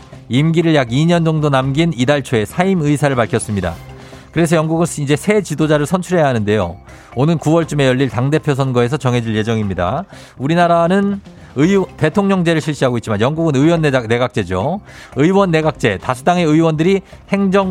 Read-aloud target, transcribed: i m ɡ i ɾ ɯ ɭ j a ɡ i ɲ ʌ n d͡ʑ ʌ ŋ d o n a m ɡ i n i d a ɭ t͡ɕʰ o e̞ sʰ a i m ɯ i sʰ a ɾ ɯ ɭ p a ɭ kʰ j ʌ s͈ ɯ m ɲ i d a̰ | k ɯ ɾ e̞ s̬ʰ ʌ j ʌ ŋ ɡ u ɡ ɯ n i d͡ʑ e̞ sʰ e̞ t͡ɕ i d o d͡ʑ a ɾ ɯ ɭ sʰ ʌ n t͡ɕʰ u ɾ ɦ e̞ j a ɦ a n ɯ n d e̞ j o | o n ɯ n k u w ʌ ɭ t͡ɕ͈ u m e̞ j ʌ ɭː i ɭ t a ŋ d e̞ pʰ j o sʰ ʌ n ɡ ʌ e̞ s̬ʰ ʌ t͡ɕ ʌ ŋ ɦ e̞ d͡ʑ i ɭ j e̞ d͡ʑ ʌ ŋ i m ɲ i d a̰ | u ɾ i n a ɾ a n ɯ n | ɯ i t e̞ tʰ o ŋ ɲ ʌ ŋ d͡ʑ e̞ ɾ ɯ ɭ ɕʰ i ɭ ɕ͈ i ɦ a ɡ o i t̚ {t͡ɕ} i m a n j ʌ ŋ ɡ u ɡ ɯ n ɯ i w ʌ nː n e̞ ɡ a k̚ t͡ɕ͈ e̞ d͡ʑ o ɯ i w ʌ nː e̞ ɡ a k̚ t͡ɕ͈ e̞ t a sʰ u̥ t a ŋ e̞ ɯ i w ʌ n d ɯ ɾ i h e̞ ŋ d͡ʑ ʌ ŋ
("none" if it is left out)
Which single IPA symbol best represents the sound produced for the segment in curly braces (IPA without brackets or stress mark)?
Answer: t͡ɕ